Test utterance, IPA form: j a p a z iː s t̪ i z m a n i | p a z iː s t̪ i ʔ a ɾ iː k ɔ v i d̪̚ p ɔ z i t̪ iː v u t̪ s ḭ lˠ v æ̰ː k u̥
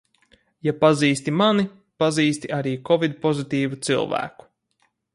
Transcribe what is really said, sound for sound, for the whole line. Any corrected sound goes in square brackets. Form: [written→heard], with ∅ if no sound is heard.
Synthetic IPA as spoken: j a p a z iː s t̪ i [z→∅] m a n i | p a z iː s t̪ i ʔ a ɾ iː k ɔ v i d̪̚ p ɔ z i t̪ iː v u t̪ s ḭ lˠ v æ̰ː k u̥